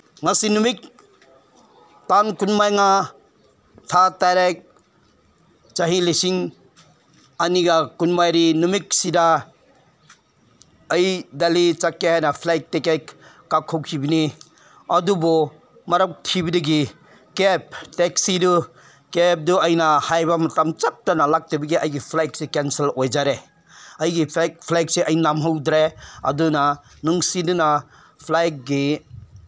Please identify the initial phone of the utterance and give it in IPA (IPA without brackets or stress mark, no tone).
ŋ